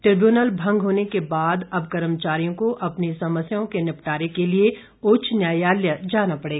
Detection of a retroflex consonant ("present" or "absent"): present